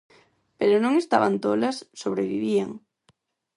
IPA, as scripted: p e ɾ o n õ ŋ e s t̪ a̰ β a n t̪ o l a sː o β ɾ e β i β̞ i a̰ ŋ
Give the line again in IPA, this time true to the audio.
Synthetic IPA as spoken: p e ɾ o n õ ŋ e s t̪ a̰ β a n t̪ o l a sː o β ɾ e β i β̞ i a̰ ŋ